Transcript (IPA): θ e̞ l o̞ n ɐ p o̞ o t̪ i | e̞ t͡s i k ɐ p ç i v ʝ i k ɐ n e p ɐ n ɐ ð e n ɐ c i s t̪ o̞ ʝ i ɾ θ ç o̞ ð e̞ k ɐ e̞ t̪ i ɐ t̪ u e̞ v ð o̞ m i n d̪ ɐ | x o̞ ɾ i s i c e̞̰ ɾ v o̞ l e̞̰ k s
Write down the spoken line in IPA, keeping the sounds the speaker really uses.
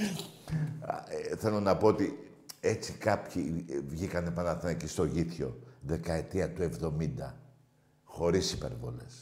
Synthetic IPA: θ e̞ l o̞ n ɐ p o̞ o t̪ i | e̞ t͡s i k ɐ p ç i v ʝ i k ɐ n e p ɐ n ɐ θ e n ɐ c i s t̪ o̞ ʝ i θ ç o̞ ð e̞ k ɐ e̞ t̪ i ɐ t̪ u e̞ v ð o̞ m i n d̪ ɐ | x o̞ ɾ i s i p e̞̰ ɾ v o̞ l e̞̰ s